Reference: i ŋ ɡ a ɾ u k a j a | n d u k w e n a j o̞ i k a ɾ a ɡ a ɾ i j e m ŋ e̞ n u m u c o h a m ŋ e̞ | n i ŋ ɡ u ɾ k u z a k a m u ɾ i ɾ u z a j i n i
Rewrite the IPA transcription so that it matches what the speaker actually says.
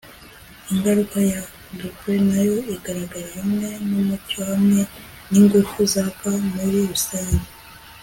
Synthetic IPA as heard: i ŋ ɡ a ɾ u k a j a | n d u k w e n a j o̞ i ɡ a ɾ a ɡ a ɾ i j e m ŋ e̞ n u m u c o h a m ŋ e̞ | n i ŋ ɡ u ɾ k u z a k a m u ɾ i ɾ u s a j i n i